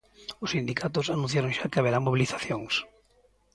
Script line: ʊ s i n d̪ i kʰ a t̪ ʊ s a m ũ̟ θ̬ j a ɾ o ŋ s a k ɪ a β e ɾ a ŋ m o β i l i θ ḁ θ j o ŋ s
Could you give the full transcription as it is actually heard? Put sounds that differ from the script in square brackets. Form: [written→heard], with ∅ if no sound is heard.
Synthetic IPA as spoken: ʊ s i n d̪ i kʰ a t̪ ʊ s a [m→n] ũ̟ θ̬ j a ɾ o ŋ [s→ʃ] a k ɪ a β e ɾ a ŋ m o β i l i θ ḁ θ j o ŋ s

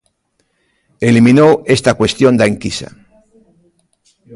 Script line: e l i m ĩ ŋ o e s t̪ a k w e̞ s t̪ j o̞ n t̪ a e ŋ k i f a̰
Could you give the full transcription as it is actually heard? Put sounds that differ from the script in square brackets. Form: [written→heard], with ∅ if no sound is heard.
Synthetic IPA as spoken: e l i m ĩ [ŋ→n] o e s t̪ a k w e̞ s t̪ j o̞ n [t̪→d̪] a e ŋ k i [f→s] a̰

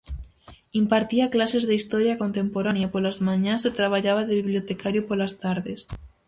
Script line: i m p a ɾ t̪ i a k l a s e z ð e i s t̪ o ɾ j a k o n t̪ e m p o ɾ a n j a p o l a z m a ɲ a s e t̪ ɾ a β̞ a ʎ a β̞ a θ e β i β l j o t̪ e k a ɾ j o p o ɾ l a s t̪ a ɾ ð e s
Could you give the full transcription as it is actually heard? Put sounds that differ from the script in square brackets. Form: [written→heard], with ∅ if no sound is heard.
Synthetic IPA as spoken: i m p a ɾ t̪ i a k l a s e z ð e i s t̪ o ɾ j a k o n t̪ e m p o ɾ a n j a p o l a z m a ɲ a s e t̪ ɾ a β̞ a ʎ a β̞ a [θ→ð] e β i β l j o t̪ e k a ɾ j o p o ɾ l a s t̪ a ɾ ð e s

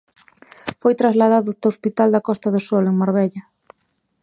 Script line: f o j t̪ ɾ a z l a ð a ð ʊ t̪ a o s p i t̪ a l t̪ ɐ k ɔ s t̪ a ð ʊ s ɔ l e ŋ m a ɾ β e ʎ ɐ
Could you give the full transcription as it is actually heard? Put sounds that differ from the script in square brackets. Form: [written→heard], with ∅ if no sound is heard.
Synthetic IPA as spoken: f o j t̪ ɾ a z l a ð a ð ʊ t̪ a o s p i t̪ a l [t̪→d̪] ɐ k ɔ s t̪ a ð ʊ s ɔ l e ŋ m a ɾ β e ʎ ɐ

